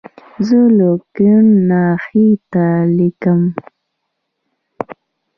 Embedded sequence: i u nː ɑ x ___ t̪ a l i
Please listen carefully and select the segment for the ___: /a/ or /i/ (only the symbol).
i